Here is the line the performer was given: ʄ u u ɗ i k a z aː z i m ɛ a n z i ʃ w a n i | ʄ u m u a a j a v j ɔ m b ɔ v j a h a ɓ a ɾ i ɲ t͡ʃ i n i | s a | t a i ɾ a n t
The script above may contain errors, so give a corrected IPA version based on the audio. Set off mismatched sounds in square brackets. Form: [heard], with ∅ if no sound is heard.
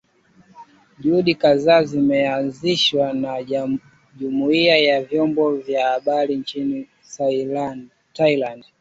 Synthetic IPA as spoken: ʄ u u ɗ i k a z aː z i m ɛ a n z i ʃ w a n [a] | ʄ u m u [i] a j a v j ɔ m b ɔ v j a h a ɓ a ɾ i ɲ t͡ʃ i n i | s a | t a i [l] a n [d]